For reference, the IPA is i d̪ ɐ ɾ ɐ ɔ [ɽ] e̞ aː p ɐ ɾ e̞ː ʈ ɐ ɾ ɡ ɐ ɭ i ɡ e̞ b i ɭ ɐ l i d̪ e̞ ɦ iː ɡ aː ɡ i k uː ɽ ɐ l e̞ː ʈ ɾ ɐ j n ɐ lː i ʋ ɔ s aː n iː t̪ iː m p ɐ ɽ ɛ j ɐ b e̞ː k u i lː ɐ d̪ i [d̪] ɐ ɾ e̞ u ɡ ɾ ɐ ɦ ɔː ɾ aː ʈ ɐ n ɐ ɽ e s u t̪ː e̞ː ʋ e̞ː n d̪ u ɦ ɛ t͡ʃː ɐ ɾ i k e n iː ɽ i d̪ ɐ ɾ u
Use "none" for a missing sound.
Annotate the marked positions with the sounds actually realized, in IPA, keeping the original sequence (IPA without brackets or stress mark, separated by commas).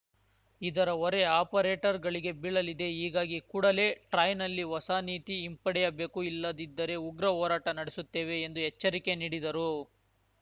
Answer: ɾ, d̪ː